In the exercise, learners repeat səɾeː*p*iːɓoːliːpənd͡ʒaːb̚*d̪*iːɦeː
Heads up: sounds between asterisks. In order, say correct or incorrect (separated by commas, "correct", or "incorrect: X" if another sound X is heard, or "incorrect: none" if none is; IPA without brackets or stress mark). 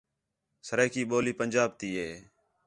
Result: incorrect: k, incorrect: t̪